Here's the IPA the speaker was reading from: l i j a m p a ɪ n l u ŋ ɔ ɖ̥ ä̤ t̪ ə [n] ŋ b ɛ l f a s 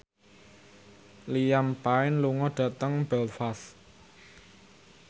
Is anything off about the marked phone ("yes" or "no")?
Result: yes